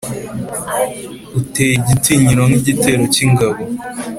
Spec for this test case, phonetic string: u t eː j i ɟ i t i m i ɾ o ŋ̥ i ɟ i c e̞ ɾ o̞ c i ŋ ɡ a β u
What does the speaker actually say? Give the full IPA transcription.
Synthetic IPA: u t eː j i ɟ i t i ɲ i ɾ o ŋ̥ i ɟ i t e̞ ɾ o̞ c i ŋ ɡ a β o